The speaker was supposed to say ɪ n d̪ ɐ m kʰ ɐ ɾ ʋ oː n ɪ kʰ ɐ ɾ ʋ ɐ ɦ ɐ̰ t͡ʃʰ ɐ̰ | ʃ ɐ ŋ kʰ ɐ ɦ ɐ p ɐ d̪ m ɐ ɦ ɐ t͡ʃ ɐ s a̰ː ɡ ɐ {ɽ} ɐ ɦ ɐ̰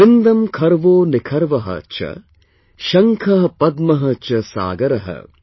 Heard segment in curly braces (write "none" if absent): ɾ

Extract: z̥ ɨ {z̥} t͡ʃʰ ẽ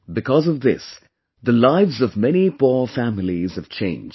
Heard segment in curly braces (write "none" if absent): v̥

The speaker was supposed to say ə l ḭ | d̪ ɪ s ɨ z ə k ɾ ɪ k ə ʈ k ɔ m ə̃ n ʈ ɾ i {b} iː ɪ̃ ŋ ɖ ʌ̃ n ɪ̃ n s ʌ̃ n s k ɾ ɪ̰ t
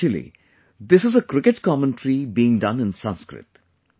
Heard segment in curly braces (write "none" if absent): b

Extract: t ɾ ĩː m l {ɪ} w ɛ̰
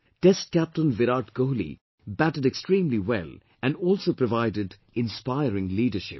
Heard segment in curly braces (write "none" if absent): i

